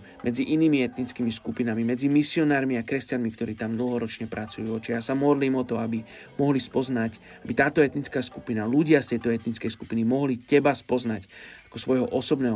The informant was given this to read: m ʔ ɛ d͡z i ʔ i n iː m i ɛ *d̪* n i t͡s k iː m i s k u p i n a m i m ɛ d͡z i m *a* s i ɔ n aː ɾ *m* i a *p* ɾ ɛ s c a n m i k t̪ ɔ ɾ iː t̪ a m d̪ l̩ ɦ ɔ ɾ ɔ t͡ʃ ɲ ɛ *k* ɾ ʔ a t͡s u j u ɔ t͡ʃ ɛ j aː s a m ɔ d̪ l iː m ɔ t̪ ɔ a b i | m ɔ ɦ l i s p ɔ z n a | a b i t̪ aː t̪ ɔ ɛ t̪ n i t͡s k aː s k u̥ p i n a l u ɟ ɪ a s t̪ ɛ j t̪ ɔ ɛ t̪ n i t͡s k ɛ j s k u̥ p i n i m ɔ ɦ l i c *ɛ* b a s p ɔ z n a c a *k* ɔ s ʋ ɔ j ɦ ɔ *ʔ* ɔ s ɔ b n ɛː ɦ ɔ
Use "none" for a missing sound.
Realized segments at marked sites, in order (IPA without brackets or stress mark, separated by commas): t̪, i, m, k, p, ɛ, k, ʔ